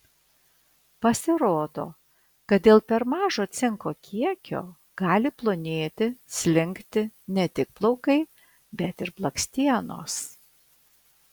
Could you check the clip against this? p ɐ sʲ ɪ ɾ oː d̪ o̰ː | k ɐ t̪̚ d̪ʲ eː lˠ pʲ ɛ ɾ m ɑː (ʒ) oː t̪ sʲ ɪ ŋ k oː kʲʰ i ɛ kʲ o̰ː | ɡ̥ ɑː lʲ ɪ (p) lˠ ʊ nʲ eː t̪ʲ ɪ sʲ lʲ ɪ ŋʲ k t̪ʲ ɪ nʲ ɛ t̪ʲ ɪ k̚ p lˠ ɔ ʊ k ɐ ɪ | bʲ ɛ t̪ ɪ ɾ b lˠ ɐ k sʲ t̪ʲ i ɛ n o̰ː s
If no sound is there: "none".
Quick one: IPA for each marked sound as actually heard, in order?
ʒ, p

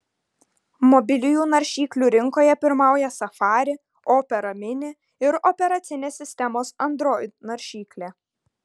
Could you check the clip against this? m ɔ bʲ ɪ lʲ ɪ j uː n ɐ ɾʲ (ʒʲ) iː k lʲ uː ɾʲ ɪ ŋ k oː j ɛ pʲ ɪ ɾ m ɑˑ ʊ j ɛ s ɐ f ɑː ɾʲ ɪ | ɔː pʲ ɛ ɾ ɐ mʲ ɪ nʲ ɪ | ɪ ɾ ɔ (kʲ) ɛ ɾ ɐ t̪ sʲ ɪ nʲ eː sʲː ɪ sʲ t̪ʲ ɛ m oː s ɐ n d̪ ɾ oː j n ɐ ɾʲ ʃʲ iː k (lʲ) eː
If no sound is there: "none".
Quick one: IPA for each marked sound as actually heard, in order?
ʃʲ, pʲ, lʲ

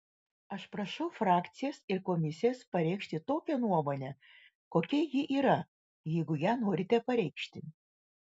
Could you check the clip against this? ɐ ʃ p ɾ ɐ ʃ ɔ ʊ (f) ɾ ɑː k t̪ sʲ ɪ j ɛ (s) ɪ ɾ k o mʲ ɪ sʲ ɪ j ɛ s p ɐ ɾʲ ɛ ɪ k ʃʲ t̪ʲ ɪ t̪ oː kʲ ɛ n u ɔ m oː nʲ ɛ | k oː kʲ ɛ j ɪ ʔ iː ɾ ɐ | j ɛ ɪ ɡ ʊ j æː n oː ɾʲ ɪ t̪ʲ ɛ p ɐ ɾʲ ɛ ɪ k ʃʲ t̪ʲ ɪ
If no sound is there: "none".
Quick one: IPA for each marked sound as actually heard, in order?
f, s

